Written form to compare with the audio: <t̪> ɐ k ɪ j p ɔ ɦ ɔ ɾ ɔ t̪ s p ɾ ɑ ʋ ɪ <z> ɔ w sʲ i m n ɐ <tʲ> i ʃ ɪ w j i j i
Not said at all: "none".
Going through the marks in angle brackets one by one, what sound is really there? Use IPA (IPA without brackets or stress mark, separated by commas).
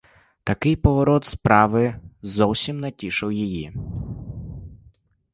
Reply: t̪, z, tʲ